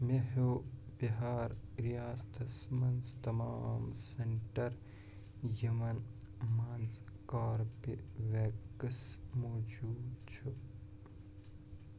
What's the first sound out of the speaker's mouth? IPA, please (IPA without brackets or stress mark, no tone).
m